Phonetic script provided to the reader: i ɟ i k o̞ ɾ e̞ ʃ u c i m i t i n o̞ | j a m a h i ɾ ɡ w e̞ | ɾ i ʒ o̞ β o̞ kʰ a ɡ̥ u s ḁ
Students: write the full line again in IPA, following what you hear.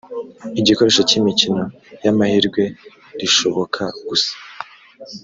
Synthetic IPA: i ɟ i k o̞ ɾ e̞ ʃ o c i m i c i n o̞ | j a m a h i ɾ ɡ w e̞ | ɾ i ʃ o̞ β o̞ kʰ a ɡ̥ u s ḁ

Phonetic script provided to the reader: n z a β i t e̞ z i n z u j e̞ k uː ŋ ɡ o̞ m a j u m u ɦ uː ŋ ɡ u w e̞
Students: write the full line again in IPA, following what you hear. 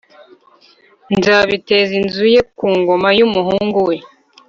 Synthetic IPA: n z a β i t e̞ z i n z u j e̞ k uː ŋ ɡ o̞ m a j u m u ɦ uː ŋ ɡ u w e̞

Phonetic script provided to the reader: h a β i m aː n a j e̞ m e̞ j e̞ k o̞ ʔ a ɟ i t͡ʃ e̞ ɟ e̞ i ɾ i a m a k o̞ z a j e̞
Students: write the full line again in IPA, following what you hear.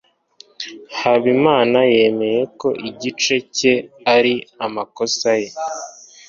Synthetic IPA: h a β i m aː n a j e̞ m e̞ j e̞ k o̞ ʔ i ɟ i t͡ʃ e̞ c e̞ a ɾ i a m a k o̞ s a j e̞

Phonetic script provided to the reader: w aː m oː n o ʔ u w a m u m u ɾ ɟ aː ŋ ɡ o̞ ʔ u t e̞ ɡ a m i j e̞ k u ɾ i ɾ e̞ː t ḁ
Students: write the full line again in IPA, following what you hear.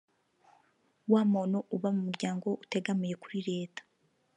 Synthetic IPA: w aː m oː n o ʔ u β a m u m u ɾ ɟ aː ŋ ɡ o̞ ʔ u t e̞ ɡ a m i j e̞ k u ɾ i ɾ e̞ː t ḁ

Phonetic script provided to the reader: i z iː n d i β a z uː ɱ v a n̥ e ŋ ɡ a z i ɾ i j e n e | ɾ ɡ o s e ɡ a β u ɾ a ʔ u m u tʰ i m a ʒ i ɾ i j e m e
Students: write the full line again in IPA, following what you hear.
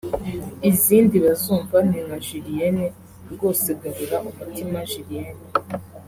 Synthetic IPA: i z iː n d i β a z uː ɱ v a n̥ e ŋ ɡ a ʒ i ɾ i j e n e | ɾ ɡ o s e ɡ a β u ɾ a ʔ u m u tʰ i m a ʒ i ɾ i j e n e

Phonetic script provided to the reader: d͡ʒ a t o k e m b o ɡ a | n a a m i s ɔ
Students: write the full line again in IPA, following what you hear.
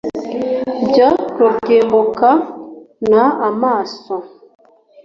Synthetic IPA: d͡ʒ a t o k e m b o k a | n a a m a s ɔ

